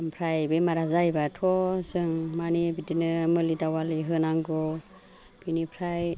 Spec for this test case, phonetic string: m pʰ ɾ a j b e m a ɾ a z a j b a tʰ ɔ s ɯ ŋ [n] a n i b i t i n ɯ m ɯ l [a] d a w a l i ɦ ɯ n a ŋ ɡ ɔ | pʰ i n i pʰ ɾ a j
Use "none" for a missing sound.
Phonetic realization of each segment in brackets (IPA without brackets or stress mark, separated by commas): m, i